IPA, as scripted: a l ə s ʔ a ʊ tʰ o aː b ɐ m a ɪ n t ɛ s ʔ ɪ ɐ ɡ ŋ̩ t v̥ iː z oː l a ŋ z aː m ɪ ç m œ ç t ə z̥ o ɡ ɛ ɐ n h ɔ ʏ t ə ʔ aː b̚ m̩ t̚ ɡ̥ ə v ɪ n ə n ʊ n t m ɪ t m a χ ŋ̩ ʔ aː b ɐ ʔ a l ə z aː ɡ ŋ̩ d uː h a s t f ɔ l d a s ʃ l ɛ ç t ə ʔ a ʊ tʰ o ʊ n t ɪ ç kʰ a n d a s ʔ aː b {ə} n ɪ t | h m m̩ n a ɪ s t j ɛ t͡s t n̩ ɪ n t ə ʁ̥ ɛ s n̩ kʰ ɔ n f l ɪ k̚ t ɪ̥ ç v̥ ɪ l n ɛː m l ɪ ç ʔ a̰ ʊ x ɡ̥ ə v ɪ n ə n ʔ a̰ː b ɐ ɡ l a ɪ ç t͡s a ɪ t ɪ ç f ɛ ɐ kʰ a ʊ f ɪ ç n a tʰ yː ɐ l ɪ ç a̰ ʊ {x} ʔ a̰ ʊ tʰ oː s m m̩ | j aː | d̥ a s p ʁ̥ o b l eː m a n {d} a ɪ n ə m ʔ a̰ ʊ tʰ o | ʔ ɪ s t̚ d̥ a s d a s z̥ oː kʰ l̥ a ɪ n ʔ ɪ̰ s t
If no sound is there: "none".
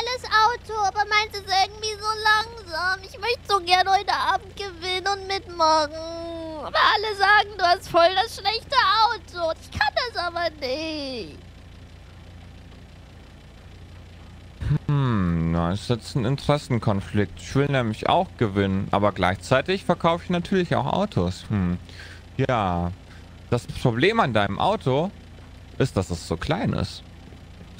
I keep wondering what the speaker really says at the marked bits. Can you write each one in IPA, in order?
ɐ, x, d

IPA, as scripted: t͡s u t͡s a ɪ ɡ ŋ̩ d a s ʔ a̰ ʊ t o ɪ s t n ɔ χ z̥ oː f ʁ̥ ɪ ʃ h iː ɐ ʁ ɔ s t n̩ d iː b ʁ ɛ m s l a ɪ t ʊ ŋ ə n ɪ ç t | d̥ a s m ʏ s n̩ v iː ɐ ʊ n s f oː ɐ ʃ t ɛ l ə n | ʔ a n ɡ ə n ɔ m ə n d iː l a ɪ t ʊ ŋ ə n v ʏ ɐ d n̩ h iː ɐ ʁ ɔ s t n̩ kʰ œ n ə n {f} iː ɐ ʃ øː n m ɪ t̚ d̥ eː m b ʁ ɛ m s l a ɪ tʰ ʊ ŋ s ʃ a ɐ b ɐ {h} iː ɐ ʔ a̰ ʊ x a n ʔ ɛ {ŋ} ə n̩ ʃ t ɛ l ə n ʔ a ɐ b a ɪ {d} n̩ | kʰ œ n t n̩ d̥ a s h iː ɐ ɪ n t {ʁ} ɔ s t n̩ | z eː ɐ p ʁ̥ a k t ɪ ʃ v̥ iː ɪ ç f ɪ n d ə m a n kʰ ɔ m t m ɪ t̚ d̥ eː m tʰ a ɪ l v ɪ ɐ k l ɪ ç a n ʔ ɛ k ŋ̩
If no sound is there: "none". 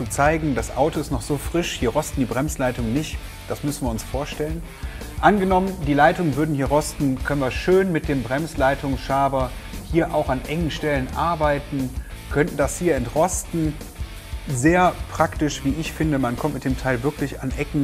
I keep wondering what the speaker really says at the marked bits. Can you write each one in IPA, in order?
v, h, ŋ, t, ʁ

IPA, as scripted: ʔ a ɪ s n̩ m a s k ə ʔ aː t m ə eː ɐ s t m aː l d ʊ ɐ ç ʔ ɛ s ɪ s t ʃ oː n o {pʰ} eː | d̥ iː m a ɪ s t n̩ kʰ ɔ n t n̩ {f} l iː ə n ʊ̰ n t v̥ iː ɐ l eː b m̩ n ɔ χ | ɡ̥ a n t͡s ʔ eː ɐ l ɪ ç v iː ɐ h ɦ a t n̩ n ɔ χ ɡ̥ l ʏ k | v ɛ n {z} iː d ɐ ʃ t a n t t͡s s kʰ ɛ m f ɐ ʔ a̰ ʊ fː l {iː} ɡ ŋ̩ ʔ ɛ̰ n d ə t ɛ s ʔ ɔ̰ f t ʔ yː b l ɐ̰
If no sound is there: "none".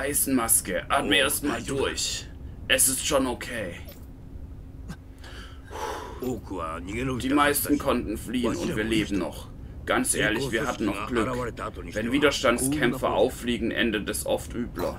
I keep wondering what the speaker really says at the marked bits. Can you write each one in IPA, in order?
kʰ, f, v, iː

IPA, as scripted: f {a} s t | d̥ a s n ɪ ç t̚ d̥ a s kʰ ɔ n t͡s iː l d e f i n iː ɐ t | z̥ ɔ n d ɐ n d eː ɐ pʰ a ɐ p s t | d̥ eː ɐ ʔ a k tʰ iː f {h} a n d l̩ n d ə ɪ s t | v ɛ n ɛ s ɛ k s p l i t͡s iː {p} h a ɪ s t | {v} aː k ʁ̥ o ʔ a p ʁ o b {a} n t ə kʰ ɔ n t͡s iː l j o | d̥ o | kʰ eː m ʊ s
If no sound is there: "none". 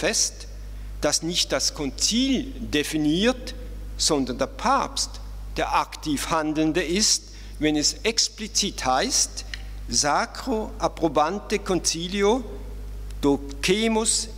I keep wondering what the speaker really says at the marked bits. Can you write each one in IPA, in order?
ɛ, h, t, z, a

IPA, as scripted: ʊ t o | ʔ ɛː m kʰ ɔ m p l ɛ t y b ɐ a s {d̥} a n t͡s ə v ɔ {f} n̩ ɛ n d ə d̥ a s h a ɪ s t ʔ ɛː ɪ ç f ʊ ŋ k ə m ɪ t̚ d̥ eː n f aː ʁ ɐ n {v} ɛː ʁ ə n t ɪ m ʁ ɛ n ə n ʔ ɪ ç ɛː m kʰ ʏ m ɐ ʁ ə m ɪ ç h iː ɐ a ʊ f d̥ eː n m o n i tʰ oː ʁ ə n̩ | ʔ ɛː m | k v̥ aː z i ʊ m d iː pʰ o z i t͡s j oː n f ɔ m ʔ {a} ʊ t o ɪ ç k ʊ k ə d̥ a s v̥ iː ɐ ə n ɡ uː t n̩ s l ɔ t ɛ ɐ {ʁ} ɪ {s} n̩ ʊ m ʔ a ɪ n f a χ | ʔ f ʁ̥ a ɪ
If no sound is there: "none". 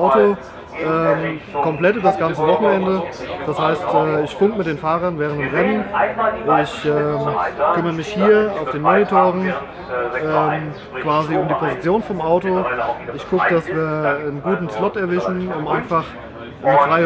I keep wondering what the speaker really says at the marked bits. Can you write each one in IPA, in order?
ɡ̥, χ, v, a, v, ʃ

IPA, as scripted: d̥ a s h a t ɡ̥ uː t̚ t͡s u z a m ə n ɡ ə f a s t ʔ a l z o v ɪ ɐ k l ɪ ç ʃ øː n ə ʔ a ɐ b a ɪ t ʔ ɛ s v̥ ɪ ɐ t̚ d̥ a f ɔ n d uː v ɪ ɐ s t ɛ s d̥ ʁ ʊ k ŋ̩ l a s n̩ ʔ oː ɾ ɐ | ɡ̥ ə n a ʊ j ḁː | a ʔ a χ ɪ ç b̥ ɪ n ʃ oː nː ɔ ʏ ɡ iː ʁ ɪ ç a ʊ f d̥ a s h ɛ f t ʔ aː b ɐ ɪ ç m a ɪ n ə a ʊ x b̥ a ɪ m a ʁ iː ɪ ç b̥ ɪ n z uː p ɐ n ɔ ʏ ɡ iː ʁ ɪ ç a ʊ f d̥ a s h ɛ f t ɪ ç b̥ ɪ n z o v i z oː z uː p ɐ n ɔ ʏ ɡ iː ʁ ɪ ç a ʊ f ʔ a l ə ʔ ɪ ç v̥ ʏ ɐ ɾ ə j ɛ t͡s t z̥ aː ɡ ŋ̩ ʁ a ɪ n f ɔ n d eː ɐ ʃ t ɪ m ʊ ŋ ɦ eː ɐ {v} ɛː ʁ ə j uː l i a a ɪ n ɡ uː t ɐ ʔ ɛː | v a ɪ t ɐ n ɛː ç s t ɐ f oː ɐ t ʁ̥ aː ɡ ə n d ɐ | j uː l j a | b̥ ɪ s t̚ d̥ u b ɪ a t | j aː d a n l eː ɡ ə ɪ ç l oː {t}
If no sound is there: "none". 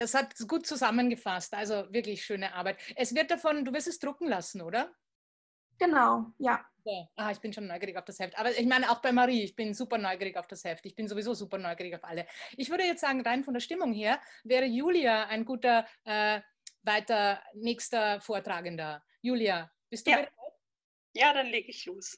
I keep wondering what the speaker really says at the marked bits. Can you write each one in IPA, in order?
v, s

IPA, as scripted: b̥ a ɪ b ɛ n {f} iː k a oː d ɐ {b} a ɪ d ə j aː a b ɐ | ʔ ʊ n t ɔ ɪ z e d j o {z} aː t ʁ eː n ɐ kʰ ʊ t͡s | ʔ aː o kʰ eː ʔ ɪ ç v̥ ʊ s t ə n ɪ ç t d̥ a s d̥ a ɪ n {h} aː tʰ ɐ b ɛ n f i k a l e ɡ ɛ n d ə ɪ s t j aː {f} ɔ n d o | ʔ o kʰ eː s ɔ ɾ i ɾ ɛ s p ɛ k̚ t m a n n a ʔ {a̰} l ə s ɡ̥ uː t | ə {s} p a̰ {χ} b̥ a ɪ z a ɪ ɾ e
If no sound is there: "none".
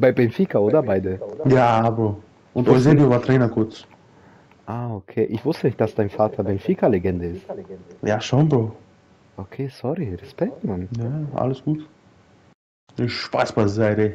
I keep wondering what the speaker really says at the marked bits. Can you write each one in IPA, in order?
f, b, v, f, ʃ, a̰, ʃ, s

